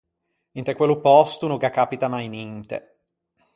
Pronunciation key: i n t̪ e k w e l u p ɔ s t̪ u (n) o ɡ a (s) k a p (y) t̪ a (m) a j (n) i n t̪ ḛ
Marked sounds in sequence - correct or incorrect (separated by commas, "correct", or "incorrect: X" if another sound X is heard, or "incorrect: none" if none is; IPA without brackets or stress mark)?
correct, incorrect: none, incorrect: i, correct, correct